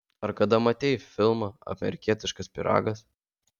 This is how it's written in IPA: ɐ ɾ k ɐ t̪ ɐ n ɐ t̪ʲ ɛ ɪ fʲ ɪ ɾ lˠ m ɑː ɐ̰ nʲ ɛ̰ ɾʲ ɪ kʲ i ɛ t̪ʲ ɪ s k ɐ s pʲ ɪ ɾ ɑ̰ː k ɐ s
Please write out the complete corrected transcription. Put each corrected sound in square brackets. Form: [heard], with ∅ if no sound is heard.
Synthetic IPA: ɐ ɾ k ɐ [d̪] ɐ [m] ɐ t̪ʲ ɛ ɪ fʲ ɪ [∅] lˠ m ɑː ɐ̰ [mʲ] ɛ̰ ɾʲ ɪ kʲ i ɛ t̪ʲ ɪ [ʃ] k ɐ s pʲ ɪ ɾ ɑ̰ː [ɡ] ɐ s